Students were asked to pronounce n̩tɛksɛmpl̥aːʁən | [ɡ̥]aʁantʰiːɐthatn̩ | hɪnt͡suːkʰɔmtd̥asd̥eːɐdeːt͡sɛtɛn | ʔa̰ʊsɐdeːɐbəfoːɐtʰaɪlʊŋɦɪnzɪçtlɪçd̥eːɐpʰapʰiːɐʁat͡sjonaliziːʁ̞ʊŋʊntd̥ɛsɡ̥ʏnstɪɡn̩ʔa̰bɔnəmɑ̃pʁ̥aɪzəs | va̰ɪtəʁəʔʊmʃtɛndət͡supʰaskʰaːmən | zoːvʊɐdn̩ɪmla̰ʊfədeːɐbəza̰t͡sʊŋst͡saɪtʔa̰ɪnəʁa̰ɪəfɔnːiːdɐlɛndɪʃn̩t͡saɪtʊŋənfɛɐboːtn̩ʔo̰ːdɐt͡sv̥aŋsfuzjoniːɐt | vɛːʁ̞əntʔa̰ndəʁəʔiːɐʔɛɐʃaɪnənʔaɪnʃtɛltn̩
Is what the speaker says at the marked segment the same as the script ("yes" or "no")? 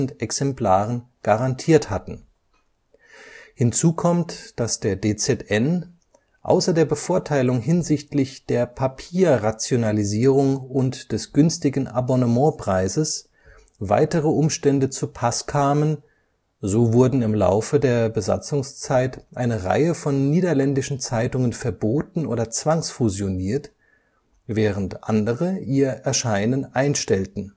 yes